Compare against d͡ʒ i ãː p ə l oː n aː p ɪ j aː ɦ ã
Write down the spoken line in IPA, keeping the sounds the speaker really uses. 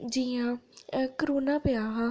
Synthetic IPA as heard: d͡ʒ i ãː k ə ɾ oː n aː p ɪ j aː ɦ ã

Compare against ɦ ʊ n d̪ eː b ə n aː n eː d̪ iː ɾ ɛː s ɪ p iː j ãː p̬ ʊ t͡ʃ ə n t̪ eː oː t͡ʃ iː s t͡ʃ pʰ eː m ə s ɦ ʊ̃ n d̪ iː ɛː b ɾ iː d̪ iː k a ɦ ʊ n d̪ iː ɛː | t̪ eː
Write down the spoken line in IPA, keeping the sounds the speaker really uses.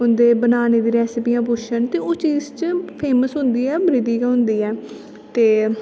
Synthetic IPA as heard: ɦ ʊ n d̪ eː b ə n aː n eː d̪ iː ɾ ɛː s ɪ p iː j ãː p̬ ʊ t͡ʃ ə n t̪ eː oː t͡ʃ iː z t͡ʃ pʰ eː m ə s ɦ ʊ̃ n d̪ iː ɛː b ɾ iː d̪ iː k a ɦ ʊ n d̪ iː ɛː | t̪ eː

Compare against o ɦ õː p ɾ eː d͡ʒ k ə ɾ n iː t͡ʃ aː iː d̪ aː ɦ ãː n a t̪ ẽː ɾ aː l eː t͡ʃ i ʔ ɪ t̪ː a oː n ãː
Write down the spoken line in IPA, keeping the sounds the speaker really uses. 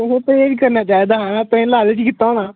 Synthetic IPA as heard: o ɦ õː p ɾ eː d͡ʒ k ə ɾ n aː t͡ʃ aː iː d̪ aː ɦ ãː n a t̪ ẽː l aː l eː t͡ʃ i k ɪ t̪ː a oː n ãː

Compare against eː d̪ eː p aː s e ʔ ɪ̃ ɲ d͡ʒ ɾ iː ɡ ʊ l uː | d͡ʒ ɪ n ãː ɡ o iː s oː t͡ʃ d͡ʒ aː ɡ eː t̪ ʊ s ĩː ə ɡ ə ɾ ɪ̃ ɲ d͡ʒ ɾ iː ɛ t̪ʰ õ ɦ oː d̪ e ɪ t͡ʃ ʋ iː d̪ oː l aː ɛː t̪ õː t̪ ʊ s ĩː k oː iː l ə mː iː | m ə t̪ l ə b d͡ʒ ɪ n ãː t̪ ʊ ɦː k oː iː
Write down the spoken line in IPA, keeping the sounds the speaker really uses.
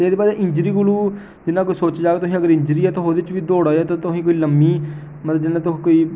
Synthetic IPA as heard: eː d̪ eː p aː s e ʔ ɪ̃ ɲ d͡ʒ ɾ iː ɡ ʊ l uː | d͡ʒ ɪ n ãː k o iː s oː t͡ʃ d͡ʒ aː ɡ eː t̪ ʊ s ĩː ə ɡ ə ɾ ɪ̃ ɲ d͡ʒ ɾ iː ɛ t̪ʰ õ ɦ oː d̪ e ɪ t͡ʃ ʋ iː d̪ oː ɽ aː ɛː t̪ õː t̪ ʊ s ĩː k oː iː l ə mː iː | m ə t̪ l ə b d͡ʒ ɪ n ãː t̪ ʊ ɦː k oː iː

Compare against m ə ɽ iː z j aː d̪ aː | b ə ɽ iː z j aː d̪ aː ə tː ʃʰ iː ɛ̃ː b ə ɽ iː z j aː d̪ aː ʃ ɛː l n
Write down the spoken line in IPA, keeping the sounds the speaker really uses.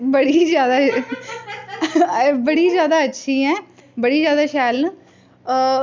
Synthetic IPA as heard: b ə ɽ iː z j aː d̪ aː | b ə ɽ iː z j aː d̪ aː ə tː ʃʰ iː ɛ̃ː b ə ɽ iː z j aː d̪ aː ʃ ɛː l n

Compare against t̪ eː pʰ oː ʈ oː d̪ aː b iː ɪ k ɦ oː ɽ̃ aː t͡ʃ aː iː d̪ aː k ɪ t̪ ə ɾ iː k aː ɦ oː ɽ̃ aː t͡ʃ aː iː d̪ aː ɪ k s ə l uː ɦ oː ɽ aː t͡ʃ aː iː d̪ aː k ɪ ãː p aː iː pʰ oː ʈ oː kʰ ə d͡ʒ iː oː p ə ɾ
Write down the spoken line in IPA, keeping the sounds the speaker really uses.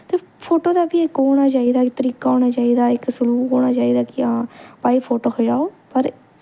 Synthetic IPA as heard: t̪ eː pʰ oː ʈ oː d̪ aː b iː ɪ k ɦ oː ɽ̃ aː t͡ʃ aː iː d̪ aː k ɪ t̪ ə ɾ iː k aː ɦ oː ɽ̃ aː t͡ʃ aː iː d̪ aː ɪ k s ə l uː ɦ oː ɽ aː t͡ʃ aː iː d̪ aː k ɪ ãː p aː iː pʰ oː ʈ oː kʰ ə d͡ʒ aː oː p ə ɾ

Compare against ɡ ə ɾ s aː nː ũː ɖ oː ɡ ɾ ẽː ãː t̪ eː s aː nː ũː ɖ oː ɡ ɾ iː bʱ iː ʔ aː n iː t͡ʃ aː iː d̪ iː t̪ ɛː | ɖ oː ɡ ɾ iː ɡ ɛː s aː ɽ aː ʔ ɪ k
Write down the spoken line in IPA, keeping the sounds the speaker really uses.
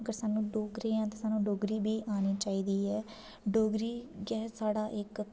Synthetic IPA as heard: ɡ ə ɾ s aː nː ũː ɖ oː ɡ ɾ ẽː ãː t̪ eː s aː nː ũː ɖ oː ɡ ɾ iː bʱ iː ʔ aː n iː t͡ʃ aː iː d̪ iː ɛː | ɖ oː ɡ ɾ iː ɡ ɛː s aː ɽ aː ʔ ɪ k

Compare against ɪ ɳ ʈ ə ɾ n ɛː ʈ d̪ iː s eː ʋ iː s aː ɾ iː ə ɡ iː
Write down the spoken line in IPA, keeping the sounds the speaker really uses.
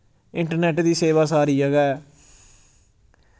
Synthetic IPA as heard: ɪ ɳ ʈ ə ɾ n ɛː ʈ d̪ iː s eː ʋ aː s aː ɾ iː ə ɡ ɛː

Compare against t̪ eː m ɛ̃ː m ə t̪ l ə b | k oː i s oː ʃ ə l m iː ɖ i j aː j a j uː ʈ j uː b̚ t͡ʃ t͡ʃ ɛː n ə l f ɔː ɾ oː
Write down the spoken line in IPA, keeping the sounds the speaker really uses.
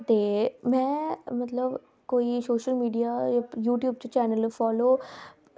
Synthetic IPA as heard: t̪ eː m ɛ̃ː m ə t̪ l ə b | k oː i s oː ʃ ə l m iː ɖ i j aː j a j uː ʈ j uː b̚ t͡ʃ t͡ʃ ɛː n ə l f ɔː l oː

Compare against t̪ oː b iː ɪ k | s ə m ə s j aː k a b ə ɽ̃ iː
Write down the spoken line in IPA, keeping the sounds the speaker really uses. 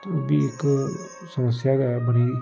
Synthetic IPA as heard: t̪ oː b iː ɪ k | s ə m ə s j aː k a b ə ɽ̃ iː

